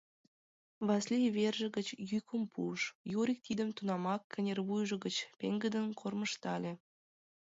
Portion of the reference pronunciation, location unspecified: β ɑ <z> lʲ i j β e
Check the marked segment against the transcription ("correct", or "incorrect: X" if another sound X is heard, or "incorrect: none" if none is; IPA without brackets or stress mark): incorrect: s